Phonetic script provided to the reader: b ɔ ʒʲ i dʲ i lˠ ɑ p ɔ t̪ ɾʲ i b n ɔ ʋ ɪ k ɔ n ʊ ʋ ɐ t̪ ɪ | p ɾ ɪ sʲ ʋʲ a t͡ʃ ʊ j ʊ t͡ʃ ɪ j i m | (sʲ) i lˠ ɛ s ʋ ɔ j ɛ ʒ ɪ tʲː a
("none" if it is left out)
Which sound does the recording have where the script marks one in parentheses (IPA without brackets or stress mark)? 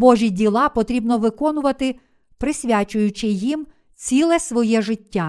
t͡sʲ